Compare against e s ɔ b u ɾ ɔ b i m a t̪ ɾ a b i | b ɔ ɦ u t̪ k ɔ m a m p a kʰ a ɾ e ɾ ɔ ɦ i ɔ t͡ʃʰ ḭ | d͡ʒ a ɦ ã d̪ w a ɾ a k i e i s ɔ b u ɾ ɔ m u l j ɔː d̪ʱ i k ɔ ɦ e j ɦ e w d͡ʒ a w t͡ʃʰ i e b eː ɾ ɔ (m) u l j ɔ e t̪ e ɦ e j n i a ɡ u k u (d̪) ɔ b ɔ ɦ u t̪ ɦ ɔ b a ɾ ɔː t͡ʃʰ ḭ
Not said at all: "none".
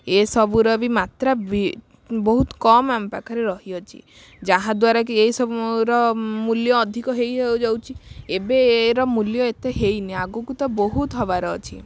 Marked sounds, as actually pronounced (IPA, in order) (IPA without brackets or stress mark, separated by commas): m, t̪